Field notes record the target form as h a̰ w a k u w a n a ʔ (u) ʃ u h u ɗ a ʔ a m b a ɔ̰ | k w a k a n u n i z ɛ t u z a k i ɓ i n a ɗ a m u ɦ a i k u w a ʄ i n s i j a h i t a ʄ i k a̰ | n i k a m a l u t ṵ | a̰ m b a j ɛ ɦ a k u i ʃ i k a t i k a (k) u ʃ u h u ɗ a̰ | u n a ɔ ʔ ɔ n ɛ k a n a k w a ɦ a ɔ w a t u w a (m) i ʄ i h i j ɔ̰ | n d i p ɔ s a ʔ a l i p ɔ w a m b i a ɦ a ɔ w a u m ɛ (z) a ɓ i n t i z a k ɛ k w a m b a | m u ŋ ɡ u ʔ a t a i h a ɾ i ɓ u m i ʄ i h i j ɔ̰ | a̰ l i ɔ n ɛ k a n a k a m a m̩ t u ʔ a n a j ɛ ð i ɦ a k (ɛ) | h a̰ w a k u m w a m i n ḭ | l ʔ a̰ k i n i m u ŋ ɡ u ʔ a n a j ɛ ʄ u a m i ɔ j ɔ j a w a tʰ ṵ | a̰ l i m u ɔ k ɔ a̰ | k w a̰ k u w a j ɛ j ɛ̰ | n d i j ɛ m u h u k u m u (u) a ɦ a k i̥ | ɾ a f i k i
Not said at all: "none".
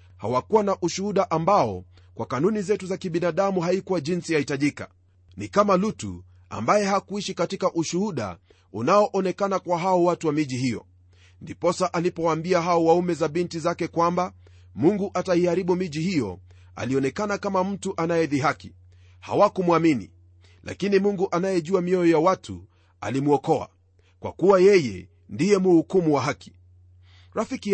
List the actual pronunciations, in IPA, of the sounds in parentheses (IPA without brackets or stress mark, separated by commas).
u, ʔ, m, z, i, w